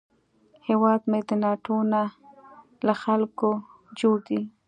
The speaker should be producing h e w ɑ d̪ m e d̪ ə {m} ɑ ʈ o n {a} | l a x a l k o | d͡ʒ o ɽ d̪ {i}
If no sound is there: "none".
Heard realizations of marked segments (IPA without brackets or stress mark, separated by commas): n, a, i